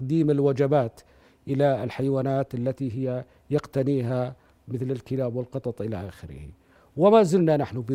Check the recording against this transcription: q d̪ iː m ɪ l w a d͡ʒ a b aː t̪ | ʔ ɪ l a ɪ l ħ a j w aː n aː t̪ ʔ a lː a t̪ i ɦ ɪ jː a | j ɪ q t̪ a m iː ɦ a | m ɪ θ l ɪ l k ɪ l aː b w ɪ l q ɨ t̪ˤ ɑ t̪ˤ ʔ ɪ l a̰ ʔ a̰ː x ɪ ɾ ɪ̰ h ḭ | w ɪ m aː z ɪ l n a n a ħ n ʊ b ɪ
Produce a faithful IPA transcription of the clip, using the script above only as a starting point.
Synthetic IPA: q d̪ iː m ɪ l w a d͡ʒ a b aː t̪ | ʔ ɪ l a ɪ l ħ a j w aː n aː t̪ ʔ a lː a t̪ i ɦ ɪ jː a | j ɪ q t̪ a n iː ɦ a | m ɪ θ l ɪ l k ɪ l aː b w ɪ l q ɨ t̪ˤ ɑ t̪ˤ ʔ ɪ l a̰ ʔ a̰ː x ɪ ɾ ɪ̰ h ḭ | w ɪ m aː z ɪ l n a n a ħ n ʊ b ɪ